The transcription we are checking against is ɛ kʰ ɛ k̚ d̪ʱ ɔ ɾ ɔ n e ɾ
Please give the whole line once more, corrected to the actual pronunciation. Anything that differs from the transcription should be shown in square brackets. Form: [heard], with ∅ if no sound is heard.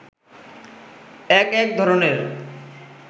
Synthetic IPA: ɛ [k] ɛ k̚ d̪ʱ ɔ ɾ [o] n e ɾ